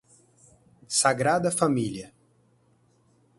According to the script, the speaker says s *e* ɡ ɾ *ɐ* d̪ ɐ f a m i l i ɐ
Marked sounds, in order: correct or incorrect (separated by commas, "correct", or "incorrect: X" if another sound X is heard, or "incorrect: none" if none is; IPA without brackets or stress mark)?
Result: incorrect: a, incorrect: a